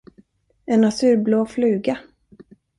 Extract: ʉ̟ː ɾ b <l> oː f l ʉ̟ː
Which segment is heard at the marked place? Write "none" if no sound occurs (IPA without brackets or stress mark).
l